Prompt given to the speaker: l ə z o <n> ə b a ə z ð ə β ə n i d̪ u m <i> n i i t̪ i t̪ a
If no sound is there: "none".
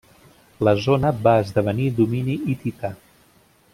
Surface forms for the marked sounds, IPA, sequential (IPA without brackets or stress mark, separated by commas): n, i